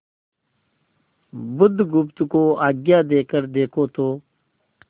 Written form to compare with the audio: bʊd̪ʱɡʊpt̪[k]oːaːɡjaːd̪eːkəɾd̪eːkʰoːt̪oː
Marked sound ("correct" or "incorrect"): correct